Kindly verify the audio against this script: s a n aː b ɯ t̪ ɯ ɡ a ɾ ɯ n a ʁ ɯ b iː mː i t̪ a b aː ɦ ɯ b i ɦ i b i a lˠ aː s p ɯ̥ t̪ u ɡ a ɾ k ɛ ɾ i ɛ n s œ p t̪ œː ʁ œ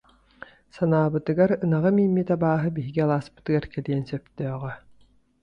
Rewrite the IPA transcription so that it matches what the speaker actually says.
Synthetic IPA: s a n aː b ɯ t̪ ɯ ɡ a ɾ ɯ n a ʁ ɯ m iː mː i t̪ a b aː ɦ ɯ b i ɦ i ɡ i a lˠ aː s p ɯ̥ t̪ ɯ ɡ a ɾ k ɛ l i ɛ n s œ p t̪ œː ʁ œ